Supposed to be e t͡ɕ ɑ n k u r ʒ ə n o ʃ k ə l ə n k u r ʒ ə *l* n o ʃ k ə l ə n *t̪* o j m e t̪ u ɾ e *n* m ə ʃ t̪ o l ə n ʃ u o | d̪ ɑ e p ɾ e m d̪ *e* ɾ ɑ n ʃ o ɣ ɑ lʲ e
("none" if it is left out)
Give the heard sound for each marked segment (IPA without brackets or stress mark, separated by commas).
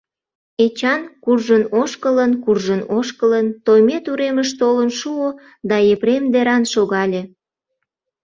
none, t̪, none, e